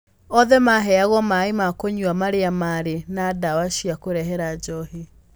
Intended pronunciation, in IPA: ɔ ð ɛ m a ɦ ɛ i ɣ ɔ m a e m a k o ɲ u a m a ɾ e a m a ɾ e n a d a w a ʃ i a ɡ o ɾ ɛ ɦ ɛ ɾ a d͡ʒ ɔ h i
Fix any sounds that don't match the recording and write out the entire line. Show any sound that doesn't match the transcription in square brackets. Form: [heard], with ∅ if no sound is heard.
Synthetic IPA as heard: ɔ ð ɛ m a ɦ ɛ [a] ɣ ɔ m a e m a k o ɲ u a m a ɾ e a m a ɾ e n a d a w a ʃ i a [k] o ɾ ɛ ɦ ɛ ɾ a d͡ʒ ɔ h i